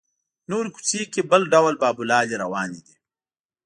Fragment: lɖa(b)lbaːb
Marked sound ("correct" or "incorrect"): incorrect